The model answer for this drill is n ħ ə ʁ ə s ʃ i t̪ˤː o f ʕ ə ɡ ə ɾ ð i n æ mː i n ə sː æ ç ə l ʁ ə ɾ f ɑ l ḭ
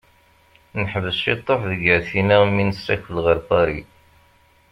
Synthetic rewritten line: n ħ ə v ə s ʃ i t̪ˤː o f ð ə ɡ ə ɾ θ i n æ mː i n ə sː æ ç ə l ʁ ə ɾ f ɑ ɾ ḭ

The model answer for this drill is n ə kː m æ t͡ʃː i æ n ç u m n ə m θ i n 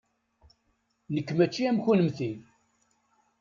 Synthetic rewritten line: n ə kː m æ t͡ʃː i æ m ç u n ə m θ i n

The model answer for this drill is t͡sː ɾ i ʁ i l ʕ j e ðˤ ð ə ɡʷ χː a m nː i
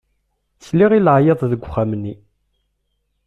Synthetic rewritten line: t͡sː l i ʁ i l ʕ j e ðˤ ð ə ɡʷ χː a m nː i

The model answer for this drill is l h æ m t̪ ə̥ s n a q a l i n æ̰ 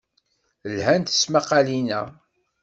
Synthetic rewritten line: l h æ n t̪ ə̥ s m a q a l i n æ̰

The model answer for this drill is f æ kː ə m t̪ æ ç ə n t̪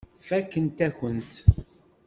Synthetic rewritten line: f æ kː ə n t̪ æ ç ə n t̪

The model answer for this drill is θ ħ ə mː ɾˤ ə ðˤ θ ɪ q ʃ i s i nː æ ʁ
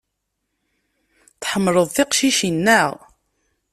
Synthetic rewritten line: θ ħ ə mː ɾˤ ə ðˤ θ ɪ q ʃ i ʃ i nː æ ʁ

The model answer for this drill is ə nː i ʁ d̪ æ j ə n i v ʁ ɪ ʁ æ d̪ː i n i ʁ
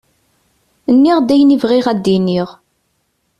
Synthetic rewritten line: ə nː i ʁ d̪ æ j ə n i v ʁ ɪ ʁ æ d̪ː i n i ʁ

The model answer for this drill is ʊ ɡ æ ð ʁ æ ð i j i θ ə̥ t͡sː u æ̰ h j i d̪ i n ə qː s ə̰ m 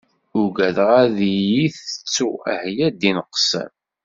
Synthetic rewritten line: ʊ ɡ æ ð ʁ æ ð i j i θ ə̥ t͡sː u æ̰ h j æ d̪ i n ə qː s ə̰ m

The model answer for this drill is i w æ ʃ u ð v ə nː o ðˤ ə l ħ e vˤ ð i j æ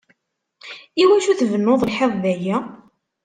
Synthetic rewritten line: i w æ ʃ u θ v ə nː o ðˤ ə l ħ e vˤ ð æ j æ

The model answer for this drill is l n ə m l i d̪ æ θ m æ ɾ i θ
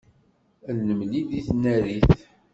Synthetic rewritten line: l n ə m l i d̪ i θ n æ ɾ i θ

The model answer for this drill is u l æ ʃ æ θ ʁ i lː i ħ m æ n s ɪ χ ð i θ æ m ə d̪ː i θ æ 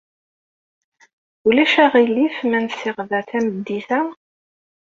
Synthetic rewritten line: u l æ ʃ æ ʁ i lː i f m æ n s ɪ ʁ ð æ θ æ m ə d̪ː i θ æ

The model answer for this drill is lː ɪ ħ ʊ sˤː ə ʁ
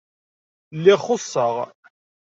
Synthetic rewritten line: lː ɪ χ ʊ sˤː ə ʁ

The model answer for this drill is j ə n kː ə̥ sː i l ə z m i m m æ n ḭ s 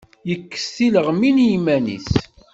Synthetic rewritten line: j ə kː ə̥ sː i l ə ʁ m i n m æ n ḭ s

